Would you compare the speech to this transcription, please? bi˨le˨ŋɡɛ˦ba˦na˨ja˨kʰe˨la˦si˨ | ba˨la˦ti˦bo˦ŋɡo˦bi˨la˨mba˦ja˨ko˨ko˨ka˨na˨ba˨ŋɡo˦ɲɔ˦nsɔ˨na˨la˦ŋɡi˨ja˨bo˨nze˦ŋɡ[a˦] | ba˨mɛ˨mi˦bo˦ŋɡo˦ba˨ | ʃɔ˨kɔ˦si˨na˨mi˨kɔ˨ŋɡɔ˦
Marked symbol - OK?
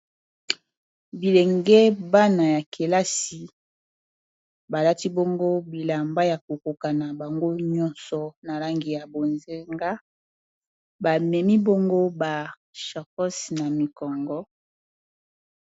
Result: yes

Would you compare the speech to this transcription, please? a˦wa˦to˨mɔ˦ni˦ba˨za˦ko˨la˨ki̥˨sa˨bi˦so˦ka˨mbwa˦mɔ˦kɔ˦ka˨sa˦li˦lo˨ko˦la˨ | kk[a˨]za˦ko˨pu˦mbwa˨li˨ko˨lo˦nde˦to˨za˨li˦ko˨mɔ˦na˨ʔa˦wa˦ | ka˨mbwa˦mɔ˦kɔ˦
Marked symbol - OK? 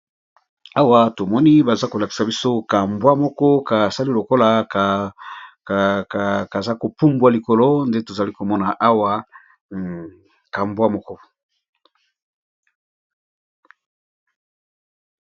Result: yes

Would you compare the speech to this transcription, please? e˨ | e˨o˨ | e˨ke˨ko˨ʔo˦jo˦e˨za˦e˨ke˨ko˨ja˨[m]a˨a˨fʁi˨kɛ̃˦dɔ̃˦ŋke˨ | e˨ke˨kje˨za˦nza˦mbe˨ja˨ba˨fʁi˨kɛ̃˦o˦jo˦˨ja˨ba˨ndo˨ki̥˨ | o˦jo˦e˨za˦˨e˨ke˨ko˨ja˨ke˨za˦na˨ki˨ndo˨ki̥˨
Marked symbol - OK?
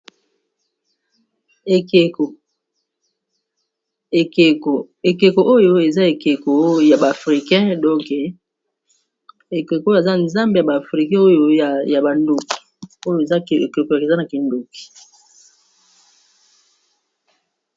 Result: no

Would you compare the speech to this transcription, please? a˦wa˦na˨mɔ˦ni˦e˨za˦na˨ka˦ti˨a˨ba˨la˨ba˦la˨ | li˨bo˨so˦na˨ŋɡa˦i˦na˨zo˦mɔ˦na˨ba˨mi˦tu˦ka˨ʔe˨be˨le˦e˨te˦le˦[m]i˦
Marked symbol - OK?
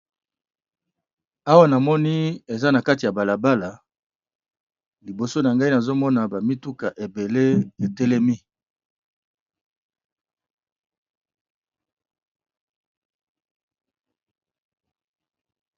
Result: yes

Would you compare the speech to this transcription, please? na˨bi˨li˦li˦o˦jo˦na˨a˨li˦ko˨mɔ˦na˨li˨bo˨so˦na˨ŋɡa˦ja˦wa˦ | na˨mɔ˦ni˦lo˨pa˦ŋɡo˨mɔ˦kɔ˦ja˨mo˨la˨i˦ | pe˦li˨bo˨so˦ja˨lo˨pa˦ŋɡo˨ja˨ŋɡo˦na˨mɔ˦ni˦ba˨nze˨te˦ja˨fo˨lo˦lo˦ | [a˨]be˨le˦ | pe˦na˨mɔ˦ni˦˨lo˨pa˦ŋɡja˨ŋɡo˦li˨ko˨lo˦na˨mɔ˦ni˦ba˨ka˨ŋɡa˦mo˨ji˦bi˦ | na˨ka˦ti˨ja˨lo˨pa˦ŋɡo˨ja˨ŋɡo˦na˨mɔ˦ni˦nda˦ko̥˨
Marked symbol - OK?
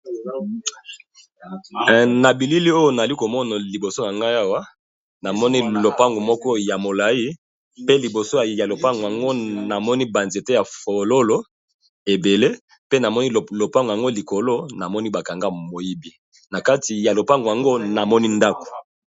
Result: no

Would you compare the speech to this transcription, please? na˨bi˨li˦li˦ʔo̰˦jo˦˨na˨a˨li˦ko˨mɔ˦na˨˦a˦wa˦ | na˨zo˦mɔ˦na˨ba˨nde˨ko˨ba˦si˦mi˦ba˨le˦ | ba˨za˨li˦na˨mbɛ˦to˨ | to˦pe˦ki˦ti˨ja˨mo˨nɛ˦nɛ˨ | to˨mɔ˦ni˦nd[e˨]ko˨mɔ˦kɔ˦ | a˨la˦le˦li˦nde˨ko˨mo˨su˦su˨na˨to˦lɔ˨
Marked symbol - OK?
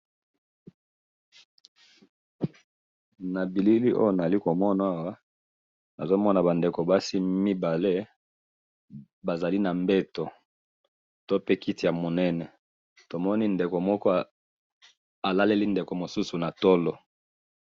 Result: yes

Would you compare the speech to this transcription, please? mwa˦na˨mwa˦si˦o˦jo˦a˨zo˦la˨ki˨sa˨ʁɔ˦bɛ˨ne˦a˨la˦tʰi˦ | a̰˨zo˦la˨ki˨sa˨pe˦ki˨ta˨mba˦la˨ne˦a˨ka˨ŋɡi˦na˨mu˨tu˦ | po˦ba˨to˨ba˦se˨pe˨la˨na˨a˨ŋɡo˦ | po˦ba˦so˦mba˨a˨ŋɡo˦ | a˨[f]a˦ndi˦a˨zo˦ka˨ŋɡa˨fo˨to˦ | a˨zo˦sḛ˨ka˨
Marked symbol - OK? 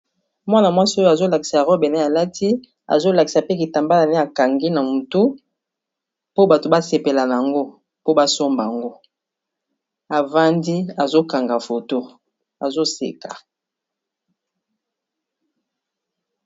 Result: no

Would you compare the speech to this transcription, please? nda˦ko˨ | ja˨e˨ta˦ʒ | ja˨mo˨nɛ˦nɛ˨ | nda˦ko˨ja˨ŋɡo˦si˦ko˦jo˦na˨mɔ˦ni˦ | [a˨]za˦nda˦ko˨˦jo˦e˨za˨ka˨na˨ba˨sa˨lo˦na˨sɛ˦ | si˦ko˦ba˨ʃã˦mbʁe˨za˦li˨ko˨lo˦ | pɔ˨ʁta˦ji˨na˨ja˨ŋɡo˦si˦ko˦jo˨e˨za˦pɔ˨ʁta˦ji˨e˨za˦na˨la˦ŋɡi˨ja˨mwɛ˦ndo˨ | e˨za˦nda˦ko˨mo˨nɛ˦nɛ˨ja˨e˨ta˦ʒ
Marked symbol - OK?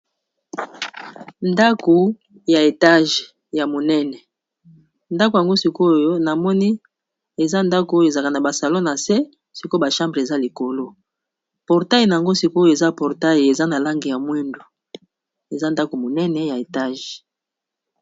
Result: no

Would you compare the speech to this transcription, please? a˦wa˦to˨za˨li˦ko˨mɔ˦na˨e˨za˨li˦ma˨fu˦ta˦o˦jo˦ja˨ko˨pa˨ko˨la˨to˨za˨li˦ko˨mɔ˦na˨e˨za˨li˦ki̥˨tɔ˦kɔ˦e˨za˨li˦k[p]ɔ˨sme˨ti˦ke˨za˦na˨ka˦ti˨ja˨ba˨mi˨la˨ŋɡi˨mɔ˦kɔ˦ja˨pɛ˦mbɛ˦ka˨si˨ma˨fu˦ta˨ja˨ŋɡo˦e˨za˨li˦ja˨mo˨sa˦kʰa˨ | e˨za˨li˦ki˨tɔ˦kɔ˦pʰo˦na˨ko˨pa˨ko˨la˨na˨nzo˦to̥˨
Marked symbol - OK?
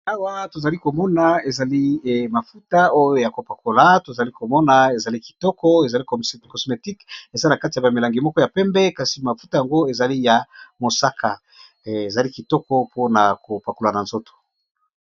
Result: no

